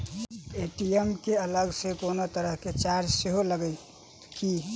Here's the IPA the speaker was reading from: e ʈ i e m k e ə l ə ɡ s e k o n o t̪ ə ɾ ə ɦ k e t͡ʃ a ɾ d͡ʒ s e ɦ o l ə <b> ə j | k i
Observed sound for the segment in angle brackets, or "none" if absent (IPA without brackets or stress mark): ɡ